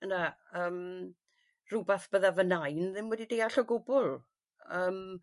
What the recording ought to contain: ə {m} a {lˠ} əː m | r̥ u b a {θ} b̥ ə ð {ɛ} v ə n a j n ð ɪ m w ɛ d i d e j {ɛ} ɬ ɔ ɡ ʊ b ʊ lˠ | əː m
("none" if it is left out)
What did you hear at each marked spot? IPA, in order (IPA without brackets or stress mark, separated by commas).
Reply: n, none, θ, a, a